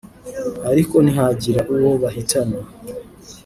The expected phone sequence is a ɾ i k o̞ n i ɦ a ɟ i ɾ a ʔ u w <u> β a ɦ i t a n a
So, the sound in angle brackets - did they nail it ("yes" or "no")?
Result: no